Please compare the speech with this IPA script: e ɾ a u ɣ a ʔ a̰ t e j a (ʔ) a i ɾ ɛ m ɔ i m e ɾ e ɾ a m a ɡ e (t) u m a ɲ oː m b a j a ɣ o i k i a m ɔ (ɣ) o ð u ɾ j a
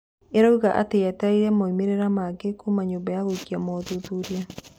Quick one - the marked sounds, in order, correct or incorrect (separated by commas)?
incorrect, incorrect, incorrect